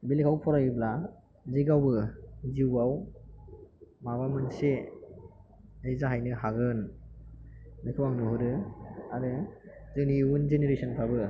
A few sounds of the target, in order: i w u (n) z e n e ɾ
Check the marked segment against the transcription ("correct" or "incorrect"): correct